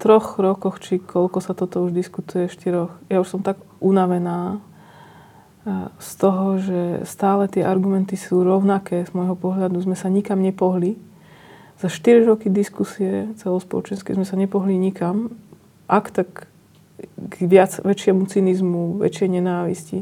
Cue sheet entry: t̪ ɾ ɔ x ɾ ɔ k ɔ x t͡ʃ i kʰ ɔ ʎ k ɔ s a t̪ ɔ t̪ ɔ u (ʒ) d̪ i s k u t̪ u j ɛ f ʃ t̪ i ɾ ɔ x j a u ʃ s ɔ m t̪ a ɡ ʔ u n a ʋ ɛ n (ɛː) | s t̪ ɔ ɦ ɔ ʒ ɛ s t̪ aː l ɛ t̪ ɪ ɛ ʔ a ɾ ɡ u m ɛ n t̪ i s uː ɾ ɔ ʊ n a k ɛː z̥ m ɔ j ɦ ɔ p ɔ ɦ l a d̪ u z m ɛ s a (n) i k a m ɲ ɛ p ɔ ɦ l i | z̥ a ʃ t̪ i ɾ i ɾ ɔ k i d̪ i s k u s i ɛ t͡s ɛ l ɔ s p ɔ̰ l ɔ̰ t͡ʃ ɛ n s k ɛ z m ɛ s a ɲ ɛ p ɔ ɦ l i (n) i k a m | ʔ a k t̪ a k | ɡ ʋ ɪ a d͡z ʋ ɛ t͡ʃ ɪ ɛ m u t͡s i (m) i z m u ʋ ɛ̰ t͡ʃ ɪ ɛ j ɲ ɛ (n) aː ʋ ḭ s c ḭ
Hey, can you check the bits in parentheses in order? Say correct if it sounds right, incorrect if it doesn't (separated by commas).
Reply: correct, incorrect, incorrect, incorrect, incorrect, correct